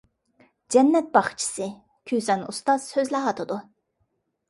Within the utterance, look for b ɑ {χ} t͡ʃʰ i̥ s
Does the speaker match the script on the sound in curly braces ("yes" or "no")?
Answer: yes